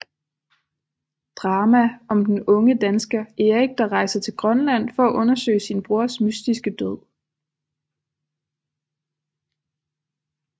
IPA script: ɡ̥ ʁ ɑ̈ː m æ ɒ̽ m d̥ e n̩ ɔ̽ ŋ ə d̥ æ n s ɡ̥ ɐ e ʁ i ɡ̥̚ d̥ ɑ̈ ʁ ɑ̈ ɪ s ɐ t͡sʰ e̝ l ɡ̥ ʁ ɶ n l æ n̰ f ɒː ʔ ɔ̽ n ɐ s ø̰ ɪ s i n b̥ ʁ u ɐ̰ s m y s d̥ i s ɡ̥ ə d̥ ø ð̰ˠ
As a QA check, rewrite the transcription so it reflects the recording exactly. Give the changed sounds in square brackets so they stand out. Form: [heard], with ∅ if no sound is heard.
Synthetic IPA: [d̥] ʁ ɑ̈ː m æ ɒ̽ m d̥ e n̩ ɔ̽ ŋ ə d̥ æ n s ɡ̥ ɐ e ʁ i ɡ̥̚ d̥ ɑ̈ ʁ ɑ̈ ɪ s ɐ t͡sʰ e̝ l ɡ̥ ʁ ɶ n l æ n̰ f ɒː ʔ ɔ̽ n ɐ s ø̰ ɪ s i n b̥ ʁ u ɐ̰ s m y s d̥ i s ɡ̥ ə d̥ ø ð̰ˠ

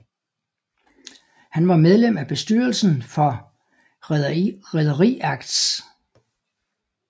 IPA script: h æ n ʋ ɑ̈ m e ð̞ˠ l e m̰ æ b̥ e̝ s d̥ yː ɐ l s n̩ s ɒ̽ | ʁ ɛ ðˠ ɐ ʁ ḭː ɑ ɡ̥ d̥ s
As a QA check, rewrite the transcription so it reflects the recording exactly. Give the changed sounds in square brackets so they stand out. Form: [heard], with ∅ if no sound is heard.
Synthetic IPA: h æ n ʋ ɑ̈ m e ð̞ˠ l e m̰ æ b̥ e̝ s d̥ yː ɐ l s n̩ [f] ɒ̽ | ʁ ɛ ðˠ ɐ ʁ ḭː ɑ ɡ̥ d̥ s

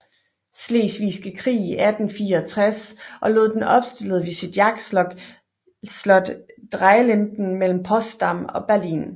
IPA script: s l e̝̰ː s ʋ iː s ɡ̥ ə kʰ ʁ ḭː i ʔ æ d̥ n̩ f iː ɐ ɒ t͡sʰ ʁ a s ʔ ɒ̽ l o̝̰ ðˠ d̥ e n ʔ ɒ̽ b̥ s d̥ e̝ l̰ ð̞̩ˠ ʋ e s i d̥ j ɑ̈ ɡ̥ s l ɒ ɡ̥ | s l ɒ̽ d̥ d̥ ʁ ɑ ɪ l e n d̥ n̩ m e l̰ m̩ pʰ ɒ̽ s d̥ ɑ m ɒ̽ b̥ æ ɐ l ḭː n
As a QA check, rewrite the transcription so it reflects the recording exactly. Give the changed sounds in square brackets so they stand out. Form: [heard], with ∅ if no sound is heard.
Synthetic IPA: s l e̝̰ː s ʋ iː s ɡ̥ ə kʰ ʁ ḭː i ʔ æ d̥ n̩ f iː ɐ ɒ t͡sʰ ʁ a s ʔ ɒ̽ l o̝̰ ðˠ d̥ e n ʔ ɒ̽ b̥ s d̥ e̝ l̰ ð̞̩ˠ ʋ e s i d̥ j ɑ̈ ɡ̥ s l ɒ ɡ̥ | s l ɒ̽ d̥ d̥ ʁ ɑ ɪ l e n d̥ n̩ m e l̰ m̩ pʰ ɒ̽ s d̥ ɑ m ɒ̽ b̥ æ ɐ l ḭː n

